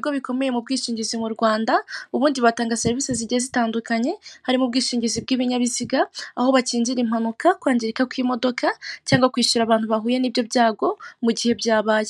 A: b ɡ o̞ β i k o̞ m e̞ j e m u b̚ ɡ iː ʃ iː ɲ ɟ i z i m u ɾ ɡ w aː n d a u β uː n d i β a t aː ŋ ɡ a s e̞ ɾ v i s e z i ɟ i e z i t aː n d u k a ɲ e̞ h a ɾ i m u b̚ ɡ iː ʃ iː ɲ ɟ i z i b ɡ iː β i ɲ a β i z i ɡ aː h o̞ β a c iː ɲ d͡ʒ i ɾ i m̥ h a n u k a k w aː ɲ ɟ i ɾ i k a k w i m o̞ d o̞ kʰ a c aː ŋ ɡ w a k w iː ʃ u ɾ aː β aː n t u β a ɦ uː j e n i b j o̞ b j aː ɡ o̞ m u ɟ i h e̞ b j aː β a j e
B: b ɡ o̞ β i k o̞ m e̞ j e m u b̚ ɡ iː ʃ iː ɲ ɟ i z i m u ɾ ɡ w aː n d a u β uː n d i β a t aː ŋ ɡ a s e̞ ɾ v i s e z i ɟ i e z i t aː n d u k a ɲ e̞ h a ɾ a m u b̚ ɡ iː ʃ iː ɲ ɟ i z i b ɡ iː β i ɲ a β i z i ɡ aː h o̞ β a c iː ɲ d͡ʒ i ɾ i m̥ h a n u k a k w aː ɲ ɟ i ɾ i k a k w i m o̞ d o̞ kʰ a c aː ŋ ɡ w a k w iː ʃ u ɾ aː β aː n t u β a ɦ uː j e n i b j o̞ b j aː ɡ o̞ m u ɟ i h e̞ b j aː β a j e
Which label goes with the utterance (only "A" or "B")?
A